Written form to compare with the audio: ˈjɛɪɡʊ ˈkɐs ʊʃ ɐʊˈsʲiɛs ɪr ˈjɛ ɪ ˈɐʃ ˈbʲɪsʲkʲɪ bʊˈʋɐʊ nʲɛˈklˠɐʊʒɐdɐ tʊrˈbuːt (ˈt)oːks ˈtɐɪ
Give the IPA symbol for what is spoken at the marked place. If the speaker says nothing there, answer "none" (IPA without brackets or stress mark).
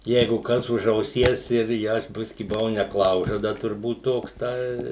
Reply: t